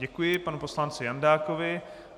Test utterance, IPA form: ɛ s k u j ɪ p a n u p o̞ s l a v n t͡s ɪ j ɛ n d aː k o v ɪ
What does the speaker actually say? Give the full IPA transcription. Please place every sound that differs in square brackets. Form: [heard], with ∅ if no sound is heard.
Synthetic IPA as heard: ɛ [∅] k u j ɪ p a n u p o̞ s l a [∅] n t͡s ɪ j [a] n d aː k o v ɪ